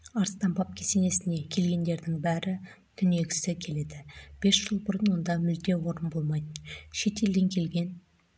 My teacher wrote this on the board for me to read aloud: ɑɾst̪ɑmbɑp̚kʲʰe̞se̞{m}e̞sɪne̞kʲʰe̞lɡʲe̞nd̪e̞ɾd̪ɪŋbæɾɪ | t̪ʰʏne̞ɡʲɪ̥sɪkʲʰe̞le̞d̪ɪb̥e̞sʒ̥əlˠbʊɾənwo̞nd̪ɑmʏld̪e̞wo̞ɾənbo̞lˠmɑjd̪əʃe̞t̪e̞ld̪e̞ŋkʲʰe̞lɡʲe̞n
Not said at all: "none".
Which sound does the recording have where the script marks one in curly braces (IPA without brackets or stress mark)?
n